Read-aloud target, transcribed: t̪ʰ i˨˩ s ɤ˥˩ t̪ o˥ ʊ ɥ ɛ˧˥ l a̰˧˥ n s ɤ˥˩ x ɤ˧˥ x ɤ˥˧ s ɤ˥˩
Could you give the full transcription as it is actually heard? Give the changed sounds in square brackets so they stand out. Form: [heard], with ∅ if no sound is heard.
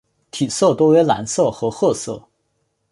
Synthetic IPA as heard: t̪ʰ i˨˩ s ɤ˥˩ t̪ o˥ ʊ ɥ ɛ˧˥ l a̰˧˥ n s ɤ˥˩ x ɤ˧˥ x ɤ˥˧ s ɤ˥˩

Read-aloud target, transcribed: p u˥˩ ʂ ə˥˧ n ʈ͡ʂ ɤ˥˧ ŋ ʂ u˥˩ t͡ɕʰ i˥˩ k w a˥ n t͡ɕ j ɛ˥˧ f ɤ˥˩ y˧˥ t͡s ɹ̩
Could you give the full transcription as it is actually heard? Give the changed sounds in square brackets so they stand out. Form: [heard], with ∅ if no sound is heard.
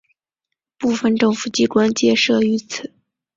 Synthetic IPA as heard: p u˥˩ [f] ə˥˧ n ʈ͡ʂ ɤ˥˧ ŋ [f] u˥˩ [t͡ɕ] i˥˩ k w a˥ n t͡ɕ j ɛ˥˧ [ʂ] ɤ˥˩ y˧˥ [t͡sʰ] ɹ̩

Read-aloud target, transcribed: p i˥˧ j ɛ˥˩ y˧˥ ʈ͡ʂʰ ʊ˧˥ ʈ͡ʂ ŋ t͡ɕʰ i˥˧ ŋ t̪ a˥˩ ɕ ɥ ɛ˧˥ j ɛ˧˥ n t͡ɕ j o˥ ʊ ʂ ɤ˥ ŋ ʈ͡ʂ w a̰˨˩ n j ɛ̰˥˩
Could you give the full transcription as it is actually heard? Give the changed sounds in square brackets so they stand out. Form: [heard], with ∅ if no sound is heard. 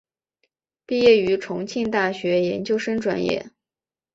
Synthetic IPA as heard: p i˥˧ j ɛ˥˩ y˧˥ ʈ͡ʂʰ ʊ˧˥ [∅] ŋ t͡ɕʰ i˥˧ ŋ t̪ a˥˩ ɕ ɥ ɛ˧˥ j ɛ˧˥ n t͡ɕ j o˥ ʊ ʂ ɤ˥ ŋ ʈ͡ʂ w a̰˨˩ n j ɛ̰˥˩

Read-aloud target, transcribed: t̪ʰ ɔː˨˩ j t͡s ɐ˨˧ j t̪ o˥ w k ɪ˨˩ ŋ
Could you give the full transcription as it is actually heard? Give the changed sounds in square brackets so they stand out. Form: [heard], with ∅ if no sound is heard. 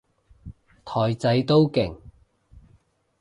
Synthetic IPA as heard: t̪ʰ ɔː˨˩ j t͡s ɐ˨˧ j t̪ o˥ w k ɪ˨˩ ŋ

